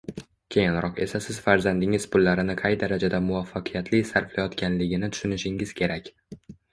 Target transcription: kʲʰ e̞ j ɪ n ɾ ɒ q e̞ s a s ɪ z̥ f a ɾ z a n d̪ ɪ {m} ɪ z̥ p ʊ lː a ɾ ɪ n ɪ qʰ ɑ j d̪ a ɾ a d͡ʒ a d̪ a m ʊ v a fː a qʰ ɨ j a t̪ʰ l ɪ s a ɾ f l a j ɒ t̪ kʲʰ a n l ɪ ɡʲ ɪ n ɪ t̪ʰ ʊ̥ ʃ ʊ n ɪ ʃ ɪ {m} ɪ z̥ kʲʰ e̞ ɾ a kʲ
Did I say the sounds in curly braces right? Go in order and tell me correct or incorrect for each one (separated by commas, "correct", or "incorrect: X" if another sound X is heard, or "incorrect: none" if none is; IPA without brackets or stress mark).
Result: incorrect: ŋ, incorrect: ŋ